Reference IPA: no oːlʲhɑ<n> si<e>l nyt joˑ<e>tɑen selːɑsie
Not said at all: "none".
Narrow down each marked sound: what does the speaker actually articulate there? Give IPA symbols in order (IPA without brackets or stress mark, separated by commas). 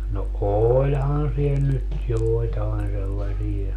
n, e, i